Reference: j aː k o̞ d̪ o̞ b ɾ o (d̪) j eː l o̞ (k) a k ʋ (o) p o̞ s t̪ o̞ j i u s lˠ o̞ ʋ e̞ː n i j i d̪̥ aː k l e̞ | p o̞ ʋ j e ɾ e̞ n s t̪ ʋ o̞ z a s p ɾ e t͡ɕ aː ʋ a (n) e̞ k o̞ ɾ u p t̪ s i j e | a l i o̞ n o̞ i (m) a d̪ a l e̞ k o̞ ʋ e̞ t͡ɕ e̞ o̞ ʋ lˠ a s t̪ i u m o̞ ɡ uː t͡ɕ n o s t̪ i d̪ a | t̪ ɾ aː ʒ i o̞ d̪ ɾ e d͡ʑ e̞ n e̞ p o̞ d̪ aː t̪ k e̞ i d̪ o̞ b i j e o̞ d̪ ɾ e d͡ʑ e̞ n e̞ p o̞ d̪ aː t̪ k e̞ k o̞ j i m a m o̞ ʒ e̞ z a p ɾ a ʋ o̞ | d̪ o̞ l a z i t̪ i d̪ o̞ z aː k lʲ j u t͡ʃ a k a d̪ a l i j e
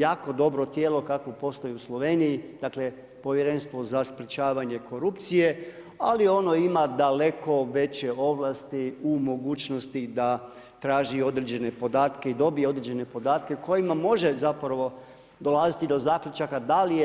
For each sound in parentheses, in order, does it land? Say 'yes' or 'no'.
no, yes, yes, no, yes

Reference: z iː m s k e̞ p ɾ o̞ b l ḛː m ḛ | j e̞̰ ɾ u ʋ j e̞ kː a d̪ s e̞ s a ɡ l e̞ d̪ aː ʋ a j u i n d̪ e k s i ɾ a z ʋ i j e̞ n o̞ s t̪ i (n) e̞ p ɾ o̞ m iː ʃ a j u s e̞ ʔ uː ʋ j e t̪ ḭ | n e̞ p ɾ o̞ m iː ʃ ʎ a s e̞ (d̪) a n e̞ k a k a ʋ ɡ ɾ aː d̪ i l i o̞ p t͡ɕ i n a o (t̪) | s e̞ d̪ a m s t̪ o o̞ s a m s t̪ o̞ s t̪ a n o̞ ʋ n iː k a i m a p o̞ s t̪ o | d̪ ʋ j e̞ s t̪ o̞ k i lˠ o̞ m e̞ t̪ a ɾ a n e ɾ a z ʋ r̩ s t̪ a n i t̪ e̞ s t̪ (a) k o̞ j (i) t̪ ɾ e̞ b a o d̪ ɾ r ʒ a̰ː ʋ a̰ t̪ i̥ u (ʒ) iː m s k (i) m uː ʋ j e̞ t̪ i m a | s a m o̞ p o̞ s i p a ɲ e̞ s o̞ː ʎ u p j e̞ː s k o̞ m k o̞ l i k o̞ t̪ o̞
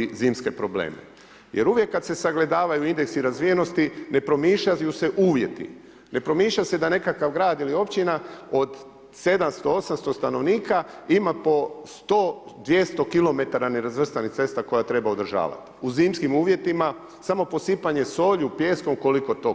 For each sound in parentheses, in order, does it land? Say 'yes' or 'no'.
yes, yes, no, yes, no, no, yes

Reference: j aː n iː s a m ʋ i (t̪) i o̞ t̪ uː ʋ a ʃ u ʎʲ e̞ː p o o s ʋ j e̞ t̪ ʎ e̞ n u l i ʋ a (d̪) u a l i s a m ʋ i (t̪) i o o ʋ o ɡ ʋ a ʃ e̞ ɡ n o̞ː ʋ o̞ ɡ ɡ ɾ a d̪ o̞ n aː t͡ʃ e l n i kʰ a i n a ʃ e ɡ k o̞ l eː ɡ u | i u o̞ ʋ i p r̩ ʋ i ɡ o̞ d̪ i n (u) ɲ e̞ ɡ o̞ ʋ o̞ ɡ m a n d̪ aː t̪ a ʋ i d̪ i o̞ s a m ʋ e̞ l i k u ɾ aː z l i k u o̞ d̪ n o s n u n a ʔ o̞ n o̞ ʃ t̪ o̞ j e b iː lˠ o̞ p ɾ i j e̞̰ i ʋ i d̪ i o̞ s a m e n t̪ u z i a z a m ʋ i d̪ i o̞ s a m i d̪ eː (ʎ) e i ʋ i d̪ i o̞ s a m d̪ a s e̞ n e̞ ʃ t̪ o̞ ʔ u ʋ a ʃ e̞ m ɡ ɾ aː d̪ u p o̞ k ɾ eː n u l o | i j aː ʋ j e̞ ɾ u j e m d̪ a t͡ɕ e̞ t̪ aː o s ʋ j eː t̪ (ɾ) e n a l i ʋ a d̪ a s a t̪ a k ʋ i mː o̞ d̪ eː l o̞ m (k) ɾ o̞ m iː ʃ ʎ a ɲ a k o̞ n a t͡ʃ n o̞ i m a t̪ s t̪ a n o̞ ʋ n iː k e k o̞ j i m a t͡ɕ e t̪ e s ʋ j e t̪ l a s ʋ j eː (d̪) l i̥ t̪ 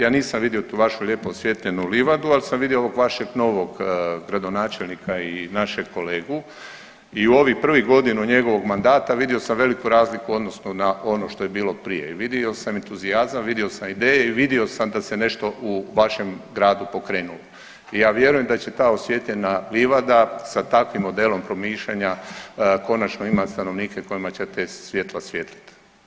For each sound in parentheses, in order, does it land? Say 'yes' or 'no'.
no, yes, no, yes, no, no, no, no

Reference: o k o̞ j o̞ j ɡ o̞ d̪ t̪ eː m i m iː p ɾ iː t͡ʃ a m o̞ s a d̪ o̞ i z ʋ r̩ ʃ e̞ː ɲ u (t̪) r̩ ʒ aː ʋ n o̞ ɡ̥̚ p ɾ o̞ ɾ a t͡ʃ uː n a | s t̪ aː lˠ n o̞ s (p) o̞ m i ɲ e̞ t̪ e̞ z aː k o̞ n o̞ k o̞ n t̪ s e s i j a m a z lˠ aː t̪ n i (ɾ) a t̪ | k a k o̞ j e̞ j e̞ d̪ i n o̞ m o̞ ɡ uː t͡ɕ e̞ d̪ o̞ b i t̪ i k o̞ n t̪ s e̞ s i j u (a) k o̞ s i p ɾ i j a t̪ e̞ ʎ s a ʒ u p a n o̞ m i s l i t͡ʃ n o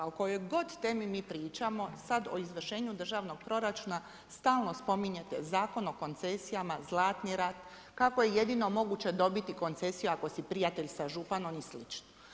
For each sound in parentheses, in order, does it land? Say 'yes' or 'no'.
no, yes, yes, yes

